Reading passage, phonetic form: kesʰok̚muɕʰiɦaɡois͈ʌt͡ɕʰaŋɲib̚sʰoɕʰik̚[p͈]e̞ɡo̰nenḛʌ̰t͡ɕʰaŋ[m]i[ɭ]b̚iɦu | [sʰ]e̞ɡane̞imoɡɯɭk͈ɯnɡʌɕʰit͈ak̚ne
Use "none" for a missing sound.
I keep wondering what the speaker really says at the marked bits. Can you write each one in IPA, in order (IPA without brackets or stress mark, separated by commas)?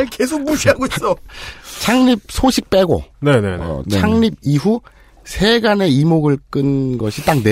p͈, ɲ, none, sʰ